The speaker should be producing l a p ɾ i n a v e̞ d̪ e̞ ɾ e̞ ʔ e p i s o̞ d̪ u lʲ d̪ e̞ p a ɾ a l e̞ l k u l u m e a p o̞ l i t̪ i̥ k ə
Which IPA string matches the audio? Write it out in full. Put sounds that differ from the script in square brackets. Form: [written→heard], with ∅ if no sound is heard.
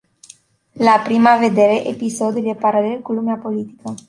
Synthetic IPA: l a p ɾ i [n→m] a v e̞ d̪ e̞ ɾ e̞ ʔ e p i s o̞ d̪ u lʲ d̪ e̞ p a ɾ a l e̞ l k u l u m e a p o̞ l i t̪ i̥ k ə